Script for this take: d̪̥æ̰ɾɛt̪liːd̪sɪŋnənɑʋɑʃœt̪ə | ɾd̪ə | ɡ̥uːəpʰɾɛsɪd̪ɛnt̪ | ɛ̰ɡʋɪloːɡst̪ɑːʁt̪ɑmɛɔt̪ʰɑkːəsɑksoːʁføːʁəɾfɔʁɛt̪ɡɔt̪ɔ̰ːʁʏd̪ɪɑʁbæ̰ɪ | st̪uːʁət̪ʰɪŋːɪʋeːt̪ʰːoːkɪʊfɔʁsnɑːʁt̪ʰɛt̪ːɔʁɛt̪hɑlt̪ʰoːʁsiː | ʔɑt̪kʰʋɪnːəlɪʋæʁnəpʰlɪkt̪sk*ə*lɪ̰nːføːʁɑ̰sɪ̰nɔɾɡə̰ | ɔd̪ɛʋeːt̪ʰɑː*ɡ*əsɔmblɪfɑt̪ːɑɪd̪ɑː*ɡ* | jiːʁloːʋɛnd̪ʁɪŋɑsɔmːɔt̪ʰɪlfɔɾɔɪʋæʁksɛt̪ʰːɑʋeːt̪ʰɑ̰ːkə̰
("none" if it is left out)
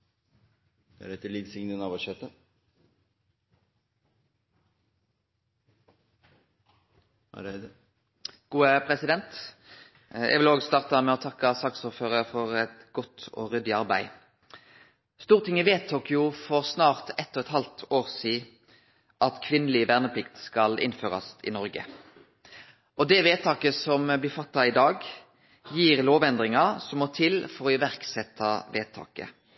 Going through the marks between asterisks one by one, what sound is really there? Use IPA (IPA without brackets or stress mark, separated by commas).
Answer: ɑ, k, ɡ